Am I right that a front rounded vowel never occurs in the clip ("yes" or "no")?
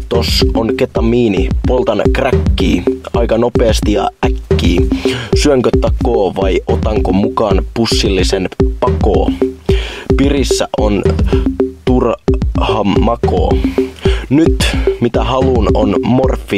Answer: no